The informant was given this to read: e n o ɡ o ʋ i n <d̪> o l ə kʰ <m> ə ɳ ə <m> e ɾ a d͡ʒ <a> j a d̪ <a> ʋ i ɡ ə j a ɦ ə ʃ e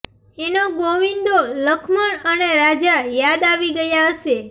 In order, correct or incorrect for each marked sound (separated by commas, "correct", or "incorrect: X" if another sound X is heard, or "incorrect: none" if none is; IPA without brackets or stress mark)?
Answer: correct, correct, incorrect: n, correct, correct